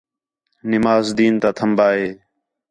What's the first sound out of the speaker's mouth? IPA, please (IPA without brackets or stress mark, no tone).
n